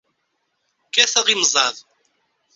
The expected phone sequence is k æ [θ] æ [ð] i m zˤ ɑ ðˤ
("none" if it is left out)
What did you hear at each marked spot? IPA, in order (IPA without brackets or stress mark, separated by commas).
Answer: θ, ʁ